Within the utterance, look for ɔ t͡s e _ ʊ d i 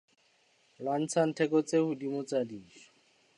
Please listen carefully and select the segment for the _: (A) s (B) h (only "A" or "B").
B